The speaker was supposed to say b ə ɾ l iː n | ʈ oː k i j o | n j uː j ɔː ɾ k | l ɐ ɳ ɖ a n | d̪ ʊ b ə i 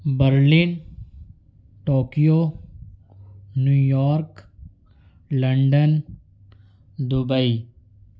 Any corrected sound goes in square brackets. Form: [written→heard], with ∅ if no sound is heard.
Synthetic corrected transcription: b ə ɾ l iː n | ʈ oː k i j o | n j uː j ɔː ɾ k | l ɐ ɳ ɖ [a→ə] n | d̪ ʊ b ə i